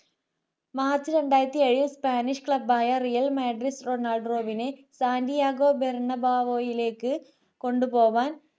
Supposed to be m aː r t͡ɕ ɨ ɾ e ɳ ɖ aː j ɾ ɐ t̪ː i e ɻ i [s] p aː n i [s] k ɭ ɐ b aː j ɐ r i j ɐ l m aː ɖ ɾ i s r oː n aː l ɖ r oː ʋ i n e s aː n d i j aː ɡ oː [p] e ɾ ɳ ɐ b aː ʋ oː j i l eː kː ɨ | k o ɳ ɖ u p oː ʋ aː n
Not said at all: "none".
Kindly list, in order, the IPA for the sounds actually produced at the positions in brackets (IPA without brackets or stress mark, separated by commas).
s, ʂ, b